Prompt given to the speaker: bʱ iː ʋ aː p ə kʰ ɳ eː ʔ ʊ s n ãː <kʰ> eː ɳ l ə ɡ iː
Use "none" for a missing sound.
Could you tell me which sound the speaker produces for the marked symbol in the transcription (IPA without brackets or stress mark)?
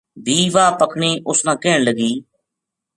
k